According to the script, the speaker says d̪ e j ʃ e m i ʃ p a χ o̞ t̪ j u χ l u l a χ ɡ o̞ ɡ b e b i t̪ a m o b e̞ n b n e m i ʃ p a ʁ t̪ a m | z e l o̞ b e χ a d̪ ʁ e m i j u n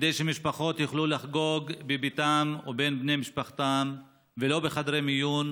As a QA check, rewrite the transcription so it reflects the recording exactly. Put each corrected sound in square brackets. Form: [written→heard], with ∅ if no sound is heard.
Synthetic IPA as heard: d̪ e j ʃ e m i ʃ p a χ o̞ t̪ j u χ l u l a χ ɡ o̞ ɡ b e b i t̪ a m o b e̞ n b n e m i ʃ p a [ʁ→χ] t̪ a m | [z→v] e l o̞ b e χ a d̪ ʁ e m i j u n